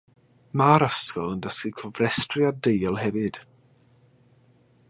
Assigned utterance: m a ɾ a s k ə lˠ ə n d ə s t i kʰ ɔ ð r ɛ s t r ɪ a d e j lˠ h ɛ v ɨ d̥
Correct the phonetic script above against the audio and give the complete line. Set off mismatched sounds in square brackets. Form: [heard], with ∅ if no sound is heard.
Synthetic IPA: m a ɾ a s k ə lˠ ə n d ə s [k] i kʰ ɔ [v] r ɛ s t r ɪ a d e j lˠ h ɛ v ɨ d̥